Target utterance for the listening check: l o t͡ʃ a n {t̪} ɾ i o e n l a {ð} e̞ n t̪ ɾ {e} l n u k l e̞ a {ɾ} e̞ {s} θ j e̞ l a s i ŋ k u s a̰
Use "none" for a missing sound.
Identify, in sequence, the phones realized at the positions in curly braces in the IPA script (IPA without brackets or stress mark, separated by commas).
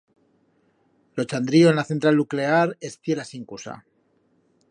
d̪, θ, a, ɾ, s